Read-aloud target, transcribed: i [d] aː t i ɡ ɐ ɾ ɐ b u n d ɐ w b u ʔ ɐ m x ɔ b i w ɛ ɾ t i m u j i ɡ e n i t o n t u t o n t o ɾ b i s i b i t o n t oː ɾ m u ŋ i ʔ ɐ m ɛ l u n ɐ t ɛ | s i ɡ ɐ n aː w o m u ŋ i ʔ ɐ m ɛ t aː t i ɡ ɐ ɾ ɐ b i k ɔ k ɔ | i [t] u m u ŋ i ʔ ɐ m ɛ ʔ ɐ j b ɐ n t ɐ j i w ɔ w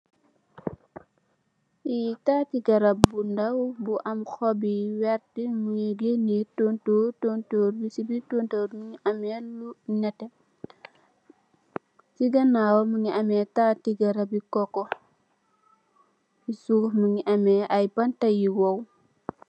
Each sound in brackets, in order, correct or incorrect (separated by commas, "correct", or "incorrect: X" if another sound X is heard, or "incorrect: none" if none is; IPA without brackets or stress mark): incorrect: t, incorrect: s